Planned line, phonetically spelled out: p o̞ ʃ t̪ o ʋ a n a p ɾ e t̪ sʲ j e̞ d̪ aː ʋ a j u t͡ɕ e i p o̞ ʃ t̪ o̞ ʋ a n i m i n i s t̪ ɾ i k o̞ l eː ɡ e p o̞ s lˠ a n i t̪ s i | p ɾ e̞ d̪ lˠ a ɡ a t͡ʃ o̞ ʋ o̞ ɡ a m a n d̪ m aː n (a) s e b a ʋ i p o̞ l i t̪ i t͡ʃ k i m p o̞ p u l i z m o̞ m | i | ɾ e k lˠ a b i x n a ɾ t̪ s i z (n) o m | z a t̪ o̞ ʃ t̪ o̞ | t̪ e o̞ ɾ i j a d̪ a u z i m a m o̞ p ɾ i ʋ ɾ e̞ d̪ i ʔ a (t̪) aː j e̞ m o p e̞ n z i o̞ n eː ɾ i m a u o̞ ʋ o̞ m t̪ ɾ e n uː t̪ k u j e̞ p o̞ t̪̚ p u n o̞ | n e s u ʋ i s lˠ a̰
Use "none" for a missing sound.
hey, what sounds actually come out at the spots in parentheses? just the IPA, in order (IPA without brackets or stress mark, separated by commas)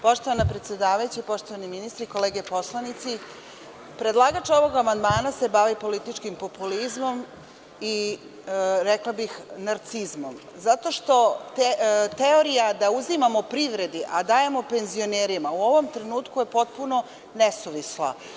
a, m, d̪